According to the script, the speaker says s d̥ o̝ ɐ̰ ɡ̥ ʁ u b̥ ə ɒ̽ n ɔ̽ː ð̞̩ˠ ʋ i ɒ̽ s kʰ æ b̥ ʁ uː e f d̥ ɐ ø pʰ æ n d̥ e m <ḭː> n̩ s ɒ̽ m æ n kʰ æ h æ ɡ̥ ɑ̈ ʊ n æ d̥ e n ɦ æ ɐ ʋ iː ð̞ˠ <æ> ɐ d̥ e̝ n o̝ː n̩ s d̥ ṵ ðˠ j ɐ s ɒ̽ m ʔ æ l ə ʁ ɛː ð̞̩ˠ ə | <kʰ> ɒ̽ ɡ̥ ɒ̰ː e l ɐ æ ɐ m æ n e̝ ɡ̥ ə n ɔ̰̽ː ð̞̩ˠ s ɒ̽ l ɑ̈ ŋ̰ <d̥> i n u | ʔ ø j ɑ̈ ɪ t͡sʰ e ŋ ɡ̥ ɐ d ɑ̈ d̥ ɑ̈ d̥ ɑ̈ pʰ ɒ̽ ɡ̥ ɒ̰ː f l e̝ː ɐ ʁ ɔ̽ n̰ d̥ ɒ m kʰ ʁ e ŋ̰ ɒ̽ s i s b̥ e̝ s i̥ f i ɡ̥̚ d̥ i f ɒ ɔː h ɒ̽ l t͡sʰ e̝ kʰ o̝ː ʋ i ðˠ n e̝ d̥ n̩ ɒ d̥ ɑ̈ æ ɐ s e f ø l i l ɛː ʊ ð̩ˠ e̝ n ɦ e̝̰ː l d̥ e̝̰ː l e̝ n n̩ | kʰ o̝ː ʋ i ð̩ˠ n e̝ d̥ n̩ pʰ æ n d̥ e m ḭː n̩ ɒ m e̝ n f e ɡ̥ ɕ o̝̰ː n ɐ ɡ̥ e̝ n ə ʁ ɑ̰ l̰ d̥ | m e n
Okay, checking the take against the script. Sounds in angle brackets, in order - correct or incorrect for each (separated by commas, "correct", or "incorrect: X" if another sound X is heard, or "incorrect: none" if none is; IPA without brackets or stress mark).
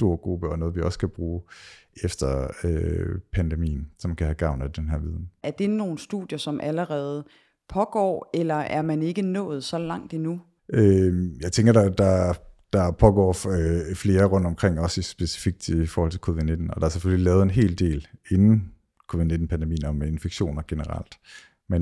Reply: correct, correct, incorrect: pʰ, correct